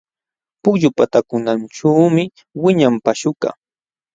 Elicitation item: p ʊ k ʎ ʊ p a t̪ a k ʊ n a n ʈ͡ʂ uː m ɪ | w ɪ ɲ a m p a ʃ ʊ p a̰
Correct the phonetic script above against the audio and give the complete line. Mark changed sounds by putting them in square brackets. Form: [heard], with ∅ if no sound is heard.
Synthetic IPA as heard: p ʊ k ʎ ʊ p a t̪ a k ʊ n a n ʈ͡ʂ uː m ɪ | w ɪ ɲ a m p a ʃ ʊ [k] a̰